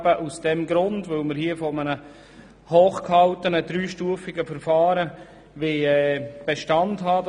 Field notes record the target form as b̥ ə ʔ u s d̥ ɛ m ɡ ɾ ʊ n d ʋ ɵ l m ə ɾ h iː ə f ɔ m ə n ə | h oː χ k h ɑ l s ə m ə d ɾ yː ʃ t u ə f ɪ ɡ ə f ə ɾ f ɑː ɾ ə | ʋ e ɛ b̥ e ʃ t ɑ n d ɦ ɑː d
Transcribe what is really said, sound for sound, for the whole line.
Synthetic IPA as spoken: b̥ ə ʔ u s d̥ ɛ m ɡ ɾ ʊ n d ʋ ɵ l m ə ɾ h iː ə f ɔ m ə n ə | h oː χ k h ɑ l t ə n ə d ɾ yː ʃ t u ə f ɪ ɡ ə f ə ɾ f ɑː ɾ ə | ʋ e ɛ b̥ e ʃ t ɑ n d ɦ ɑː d

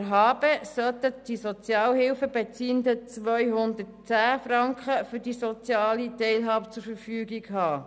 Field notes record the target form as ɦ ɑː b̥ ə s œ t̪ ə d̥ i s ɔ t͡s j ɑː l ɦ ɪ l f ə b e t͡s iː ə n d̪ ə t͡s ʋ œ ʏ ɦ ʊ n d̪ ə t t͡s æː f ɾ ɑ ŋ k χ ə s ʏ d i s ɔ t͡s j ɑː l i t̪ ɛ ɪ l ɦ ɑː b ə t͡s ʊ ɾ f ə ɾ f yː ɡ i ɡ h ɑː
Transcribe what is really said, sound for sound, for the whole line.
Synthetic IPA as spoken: ɦ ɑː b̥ ə s œ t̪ ə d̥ i s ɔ t͡s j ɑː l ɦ ɪ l f ə b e t͡s iː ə n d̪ ə t͡s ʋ œ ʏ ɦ ʊ n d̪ ə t t͡s æː f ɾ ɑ ŋ k χ ə f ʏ d i s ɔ t͡s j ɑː l i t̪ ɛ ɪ l ɦ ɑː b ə t͡s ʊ ɾ f ə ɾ f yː ɡ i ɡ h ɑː

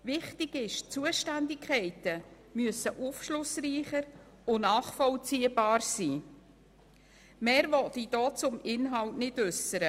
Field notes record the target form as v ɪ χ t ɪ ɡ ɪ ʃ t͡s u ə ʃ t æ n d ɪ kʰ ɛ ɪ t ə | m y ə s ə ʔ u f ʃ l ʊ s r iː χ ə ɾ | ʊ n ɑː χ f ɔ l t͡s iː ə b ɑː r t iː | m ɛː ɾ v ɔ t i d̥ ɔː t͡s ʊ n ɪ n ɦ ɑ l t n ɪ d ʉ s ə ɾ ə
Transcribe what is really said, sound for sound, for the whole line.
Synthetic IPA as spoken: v ɪ χ t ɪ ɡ ɪ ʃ t͡s u ə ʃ t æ n d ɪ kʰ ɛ ɪ t ə | m y ə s ə ʔ u f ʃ l ʊ s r iː χ ə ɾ | ʊ n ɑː χ f ɔ l t͡s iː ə b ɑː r s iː | m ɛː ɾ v ɔ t i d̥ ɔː t͡s ʊ m ɪ n ɦ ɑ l t n ɪ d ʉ s ə ɾ ə

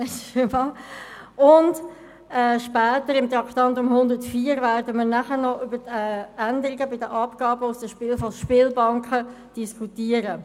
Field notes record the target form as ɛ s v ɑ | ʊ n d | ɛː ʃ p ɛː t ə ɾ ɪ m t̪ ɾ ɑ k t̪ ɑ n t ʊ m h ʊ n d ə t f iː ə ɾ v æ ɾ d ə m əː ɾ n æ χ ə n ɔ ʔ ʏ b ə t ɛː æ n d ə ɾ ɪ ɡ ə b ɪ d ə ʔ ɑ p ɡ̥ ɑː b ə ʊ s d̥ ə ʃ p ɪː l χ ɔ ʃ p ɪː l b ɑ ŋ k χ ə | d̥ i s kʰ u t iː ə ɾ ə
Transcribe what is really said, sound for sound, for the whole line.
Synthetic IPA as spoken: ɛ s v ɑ | ʊ n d | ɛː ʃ p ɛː t ə ɾ ɪ m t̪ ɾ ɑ k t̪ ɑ n t ʊ m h ʊ n d ə t f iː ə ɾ v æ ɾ d ə m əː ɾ n æ χ ə n ɔ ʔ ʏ b ə t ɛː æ n d ə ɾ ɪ ɡ ə b ɪ d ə ʔ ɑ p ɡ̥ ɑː b ə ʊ s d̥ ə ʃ p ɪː l f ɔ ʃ p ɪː l b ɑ ŋ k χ ə | d̥ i s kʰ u t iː ə ɾ ə

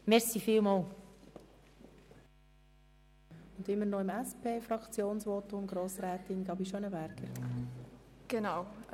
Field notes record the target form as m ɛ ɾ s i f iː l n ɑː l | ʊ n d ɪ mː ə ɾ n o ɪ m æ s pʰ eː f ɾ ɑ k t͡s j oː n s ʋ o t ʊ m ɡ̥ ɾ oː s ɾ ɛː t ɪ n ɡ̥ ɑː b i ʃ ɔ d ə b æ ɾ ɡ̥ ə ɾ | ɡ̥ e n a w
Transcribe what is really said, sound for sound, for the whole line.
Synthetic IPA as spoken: m ɛ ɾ s i f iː l m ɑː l | ʊ n d ɪ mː ə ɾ n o ɪ m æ s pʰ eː f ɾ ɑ k t͡s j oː n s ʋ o t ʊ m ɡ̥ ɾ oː s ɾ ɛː t ɪ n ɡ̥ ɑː b i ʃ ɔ n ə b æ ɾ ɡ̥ ə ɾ | ɡ̥ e n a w

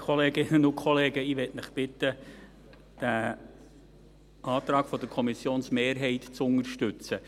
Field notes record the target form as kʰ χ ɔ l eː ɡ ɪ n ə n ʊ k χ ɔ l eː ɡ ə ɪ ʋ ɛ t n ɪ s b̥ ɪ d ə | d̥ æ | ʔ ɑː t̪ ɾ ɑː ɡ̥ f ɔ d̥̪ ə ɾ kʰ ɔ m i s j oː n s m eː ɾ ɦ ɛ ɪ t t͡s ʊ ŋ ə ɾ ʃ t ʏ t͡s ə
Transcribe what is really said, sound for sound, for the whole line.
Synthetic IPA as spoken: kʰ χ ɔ l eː ɡ ɪ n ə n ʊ k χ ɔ l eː ɡ ə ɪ ʋ ɛ t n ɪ χ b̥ ɪ t ə | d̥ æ | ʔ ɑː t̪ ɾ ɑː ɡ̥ f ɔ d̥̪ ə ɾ kʰ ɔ m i s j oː n s m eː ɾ ɦ ɛ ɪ t t͡s ʊ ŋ ə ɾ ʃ t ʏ t͡s ə

